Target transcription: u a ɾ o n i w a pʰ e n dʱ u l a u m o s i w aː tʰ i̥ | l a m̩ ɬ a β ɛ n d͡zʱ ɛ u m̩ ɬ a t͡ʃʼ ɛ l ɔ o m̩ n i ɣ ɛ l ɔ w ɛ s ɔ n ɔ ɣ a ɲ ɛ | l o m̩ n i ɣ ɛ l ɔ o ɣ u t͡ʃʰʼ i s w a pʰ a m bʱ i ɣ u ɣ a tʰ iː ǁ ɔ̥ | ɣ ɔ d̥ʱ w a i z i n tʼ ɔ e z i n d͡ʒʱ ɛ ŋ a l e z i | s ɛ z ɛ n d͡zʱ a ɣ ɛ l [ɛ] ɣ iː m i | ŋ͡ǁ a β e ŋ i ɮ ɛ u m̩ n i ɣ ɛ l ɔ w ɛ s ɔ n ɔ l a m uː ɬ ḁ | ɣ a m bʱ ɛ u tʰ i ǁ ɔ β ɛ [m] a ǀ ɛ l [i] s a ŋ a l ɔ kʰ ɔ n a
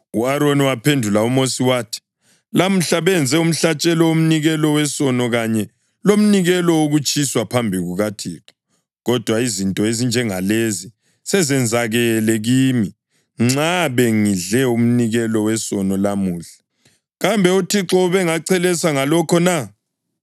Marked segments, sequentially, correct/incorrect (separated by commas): correct, incorrect, incorrect